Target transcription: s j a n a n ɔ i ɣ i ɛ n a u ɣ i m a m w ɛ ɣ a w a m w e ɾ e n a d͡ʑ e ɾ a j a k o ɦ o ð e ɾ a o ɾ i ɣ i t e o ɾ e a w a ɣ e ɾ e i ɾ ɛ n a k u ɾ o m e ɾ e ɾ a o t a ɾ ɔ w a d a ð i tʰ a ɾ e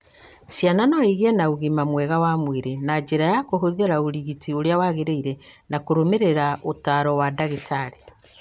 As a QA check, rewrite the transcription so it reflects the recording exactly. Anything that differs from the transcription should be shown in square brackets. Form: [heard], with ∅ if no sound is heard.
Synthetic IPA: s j a n a n ɔ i ɣ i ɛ n a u ɣ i m a m w ɛ ɣ a w a m w e ɾ e n a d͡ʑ e ɾ a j a k o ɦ o ð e ɾ a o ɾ i ɣ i t [i] o ɾ e a w a ɣ e ɾ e i ɾ ɛ n a k [o] ɾ o m e ɾ e ɾ a o t a ɾ ɔ w a d a [ɣ] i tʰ a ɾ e